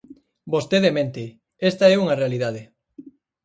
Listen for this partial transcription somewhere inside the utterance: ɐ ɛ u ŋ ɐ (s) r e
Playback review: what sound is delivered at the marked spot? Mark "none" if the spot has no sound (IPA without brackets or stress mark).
none